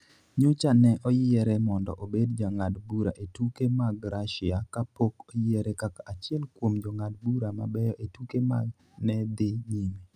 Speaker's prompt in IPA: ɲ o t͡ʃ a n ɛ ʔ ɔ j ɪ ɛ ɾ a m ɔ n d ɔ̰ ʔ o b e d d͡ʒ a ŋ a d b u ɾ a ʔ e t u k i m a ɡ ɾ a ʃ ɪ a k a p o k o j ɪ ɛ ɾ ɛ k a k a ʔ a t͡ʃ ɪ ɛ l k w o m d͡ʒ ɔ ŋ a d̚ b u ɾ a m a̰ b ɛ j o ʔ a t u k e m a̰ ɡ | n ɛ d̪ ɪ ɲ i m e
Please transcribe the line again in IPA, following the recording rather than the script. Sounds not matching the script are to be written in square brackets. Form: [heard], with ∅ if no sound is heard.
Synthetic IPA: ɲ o t͡ʃ a n ɛ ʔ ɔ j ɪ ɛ ɾ [ɛ] m ɔ n d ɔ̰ ʔ o b e d d͡ʒ a ŋ a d b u ɾ a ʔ e t u k [e] m a ɡ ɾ a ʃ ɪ a k a p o k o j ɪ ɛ ɾ ɛ k a k a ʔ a t͡ʃ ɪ ɛ l k w o m d͡ʒ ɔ ŋ a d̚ b u ɾ a m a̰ b ɛ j [ɔ] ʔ [e] t u k e m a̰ ɡ | n ɛ d̪ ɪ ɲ i m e